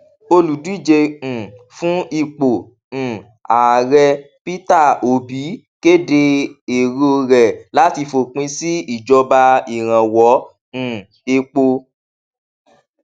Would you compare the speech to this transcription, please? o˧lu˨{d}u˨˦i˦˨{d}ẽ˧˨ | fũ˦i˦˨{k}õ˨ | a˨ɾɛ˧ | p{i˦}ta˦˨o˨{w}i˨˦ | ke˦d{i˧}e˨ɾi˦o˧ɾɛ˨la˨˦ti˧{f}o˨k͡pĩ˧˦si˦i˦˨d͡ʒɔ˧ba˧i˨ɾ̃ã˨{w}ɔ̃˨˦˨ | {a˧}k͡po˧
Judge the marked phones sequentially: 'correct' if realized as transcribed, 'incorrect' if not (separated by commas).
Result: correct, incorrect, incorrect, correct, incorrect, incorrect, correct, correct, incorrect